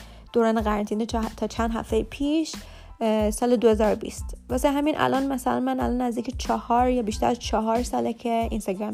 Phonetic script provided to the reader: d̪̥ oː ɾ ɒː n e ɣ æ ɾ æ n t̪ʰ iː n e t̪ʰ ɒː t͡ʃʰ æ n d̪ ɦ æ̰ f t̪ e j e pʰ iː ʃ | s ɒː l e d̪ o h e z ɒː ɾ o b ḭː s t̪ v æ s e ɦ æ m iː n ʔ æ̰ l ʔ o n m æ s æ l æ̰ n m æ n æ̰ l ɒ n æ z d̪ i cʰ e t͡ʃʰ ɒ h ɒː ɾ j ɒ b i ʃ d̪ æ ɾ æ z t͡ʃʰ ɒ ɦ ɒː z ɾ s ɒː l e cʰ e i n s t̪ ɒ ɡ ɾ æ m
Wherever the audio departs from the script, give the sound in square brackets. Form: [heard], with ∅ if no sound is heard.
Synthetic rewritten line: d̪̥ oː ɾ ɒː n e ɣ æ ɾ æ n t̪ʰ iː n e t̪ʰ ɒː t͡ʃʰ æ n d̪ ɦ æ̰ f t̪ e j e pʰ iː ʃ | s ɒː l e d̪ o h e z ɒː ɾ o b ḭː s t̪ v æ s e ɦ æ m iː n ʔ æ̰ l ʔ [ɒ] n m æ s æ l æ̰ n m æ n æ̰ l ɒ n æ z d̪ i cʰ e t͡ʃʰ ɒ h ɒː ɾ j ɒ b i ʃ [t̪] æ ɾ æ z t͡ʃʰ ɒ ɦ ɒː [∅] ɾ s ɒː l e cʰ e i n s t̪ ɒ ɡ ɾ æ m